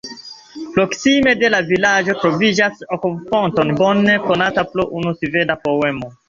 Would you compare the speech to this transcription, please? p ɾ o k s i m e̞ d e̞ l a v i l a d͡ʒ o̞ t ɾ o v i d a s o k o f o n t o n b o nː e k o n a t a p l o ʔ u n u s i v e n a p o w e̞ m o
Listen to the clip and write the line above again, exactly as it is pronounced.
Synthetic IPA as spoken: p ɾ o k s i m e̞ d e̞ l a v i l a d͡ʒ o̞ t ɾ o v i d͡ʒ a s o k o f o n t o n b o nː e k o n a t a p l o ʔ u n u s i v e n a p o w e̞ m o